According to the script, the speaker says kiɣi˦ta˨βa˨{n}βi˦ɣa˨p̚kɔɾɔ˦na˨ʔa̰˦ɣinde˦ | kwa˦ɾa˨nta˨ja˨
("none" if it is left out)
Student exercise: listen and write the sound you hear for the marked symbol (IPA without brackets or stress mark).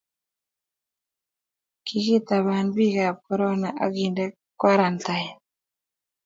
n